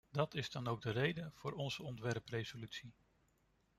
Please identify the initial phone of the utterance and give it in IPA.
d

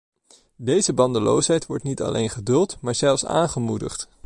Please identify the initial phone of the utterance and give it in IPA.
d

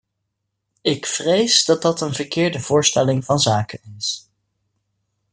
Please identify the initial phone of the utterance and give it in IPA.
ɪ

